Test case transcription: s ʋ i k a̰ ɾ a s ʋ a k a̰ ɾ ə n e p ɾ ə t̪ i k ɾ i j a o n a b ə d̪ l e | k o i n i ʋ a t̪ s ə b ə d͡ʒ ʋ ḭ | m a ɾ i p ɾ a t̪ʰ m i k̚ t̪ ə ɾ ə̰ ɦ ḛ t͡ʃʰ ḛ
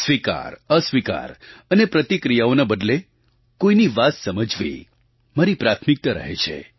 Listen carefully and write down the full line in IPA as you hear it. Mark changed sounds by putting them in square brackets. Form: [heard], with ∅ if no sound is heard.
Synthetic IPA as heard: s ʋ i k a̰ ɾ [ə] s ʋ [i] k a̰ ɾ ə n e p ɾ ə t̪ i k ɾ i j a o n a b ə d̪ l e | k o i n i ʋ a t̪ s ə [m] ə d͡ʒ ʋ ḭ | m a ɾ i p ɾ a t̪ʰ m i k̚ t̪ ə ɾ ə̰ ɦ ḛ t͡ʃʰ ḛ